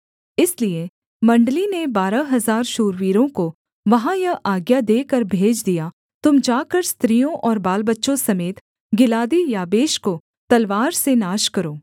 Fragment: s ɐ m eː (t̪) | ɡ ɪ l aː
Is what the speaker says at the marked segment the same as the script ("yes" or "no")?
yes